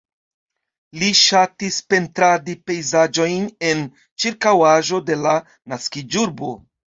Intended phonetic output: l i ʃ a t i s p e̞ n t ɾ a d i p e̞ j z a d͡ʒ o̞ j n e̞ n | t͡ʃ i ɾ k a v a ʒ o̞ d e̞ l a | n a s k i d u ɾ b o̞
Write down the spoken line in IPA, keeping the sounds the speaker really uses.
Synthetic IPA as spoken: l i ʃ a t i s p e̞ n t ɾ a d i p e̞ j z a d͡ʒ o̞ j n e̞ n | t͡ʃ i ɾ k a w a ʒ o̞ d e̞ l a | n a s k i d͡ʒ u ɾ b o̞